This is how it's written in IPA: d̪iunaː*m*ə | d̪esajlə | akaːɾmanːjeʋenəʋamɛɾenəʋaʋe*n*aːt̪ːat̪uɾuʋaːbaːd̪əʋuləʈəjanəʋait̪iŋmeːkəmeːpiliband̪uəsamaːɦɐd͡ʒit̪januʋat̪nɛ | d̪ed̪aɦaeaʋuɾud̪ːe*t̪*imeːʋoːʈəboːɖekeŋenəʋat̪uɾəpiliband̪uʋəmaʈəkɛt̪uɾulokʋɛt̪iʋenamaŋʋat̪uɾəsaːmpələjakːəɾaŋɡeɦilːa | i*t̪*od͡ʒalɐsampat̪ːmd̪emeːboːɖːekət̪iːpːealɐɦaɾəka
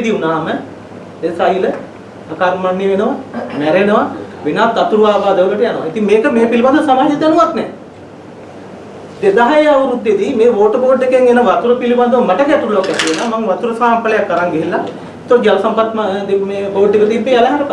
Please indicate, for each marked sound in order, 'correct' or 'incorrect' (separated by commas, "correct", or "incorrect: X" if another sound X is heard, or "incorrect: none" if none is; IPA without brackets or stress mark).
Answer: correct, correct, incorrect: d̪, correct